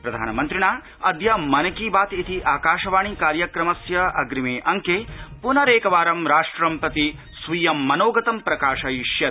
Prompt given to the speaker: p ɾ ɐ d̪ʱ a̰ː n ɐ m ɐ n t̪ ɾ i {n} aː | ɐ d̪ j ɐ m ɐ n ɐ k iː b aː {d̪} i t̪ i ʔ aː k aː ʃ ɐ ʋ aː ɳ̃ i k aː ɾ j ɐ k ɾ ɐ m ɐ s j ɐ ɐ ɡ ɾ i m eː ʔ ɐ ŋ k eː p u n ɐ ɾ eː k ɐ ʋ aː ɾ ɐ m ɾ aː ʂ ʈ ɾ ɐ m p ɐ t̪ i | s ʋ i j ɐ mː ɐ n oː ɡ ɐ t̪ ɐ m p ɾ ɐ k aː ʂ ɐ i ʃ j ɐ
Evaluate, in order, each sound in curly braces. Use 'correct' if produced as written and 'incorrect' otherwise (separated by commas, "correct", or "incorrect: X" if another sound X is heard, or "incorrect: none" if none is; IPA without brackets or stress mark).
incorrect: ɳ, incorrect: t̪